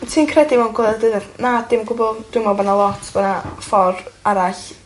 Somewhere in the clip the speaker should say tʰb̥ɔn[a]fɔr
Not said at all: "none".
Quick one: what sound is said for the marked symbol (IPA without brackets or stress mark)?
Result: a